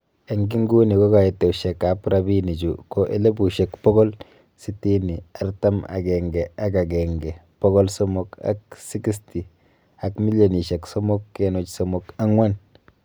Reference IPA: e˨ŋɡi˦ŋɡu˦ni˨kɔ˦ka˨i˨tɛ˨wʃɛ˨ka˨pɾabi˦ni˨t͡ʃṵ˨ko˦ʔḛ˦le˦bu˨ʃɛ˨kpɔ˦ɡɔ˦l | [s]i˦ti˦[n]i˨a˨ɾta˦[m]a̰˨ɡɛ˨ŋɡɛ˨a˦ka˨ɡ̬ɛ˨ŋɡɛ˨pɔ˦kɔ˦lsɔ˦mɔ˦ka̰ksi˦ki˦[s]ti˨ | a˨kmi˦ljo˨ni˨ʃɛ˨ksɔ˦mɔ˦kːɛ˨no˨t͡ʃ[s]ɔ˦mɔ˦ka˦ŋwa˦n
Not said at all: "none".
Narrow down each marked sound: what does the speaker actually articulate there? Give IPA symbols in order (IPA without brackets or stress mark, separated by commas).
s, n, m, s, s